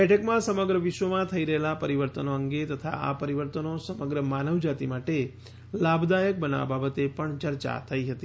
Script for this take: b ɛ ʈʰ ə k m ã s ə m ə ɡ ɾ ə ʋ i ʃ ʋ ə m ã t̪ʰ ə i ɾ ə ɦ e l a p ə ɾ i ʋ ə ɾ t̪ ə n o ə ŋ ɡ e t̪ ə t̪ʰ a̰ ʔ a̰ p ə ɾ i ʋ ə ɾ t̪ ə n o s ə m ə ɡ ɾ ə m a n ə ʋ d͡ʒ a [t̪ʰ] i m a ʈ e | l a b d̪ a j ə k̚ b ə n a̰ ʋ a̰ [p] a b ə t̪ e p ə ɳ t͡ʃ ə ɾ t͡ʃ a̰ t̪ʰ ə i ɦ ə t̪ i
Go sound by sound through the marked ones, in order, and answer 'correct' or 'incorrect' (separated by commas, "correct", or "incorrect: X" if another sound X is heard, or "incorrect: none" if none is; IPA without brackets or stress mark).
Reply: incorrect: t̪, incorrect: b